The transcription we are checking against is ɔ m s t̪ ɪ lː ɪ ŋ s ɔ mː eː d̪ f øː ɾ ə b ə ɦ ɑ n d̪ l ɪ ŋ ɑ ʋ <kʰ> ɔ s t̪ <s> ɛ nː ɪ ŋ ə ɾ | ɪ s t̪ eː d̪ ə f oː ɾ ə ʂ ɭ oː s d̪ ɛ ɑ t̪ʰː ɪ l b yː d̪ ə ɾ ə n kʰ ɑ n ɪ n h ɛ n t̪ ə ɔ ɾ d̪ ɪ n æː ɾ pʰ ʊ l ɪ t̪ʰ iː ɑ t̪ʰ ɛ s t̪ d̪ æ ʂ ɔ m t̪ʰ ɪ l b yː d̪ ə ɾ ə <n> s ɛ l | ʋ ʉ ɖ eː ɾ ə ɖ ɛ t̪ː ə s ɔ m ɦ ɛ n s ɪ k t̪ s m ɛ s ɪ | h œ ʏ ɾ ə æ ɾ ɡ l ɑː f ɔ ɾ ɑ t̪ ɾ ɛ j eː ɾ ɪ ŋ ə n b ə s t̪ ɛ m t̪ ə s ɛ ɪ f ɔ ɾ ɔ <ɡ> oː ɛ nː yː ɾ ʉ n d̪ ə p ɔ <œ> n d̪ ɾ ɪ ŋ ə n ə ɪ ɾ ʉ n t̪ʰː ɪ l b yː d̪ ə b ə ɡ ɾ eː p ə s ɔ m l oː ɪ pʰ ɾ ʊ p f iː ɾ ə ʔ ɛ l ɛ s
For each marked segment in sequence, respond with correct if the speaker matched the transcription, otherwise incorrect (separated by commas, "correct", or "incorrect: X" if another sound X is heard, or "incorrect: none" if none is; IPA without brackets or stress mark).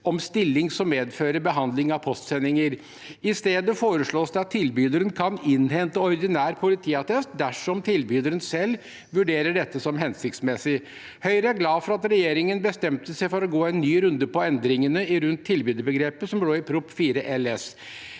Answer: incorrect: pʰ, correct, correct, correct, incorrect: ɛ